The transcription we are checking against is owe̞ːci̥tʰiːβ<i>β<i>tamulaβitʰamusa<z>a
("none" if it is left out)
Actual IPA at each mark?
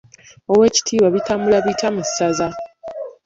a, i, z

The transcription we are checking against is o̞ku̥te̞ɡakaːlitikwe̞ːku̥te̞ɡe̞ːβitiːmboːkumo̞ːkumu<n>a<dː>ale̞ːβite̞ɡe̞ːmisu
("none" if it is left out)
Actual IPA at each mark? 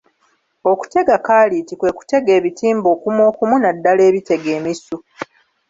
n, dː

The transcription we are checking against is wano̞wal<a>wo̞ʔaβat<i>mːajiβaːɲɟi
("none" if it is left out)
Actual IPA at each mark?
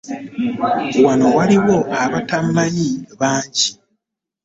i, a

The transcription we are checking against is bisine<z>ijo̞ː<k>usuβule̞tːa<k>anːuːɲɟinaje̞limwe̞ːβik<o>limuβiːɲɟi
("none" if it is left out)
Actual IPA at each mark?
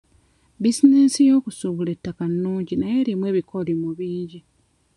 s, k, k, o

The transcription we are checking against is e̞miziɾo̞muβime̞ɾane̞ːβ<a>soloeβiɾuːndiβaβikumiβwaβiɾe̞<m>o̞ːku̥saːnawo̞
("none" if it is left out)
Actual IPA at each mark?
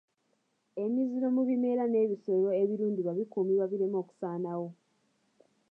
i, m

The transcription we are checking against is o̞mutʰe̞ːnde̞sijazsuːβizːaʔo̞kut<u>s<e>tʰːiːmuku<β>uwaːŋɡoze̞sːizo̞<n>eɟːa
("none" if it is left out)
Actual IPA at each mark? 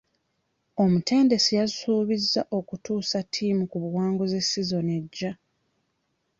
uː, a, β, n

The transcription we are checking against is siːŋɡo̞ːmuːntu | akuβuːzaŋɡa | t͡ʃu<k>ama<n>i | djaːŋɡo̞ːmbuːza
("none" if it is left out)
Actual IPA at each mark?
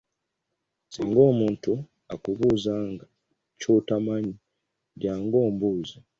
t, ɲ

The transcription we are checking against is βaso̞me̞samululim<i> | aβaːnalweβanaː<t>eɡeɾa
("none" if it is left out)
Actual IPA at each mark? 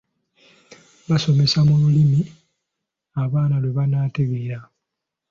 i, t

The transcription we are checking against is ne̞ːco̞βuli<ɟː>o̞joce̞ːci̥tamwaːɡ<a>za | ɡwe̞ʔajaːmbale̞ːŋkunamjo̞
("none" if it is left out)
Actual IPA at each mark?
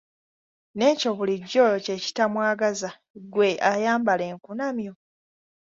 ɟː, a

